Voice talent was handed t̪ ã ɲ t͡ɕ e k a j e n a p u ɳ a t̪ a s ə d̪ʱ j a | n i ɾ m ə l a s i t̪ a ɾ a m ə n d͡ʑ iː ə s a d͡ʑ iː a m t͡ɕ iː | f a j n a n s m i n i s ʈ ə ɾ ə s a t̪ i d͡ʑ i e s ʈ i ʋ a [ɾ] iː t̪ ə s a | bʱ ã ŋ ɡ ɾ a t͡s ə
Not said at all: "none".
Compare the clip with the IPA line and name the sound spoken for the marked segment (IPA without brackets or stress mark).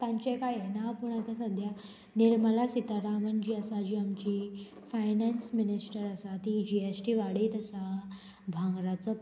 ɽ